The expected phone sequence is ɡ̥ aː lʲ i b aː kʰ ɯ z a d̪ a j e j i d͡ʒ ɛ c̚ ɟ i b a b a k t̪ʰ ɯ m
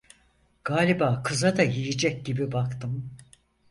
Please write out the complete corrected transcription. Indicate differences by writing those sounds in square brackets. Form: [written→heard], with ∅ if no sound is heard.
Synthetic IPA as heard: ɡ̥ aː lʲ i b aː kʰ ɯ z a d̪ a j [e→i] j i d͡ʒ ɛ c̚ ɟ i b [a→i] b a k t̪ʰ ɯ m